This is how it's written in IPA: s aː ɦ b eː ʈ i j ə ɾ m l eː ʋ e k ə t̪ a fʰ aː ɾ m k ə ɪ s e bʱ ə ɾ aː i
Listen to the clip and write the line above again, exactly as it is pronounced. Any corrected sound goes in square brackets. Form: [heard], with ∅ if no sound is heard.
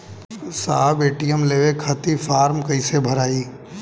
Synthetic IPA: s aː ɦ b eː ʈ i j ə [∅] m l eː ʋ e [kʰ] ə t̪ [i] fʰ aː ɾ m k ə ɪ s e bʱ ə ɾ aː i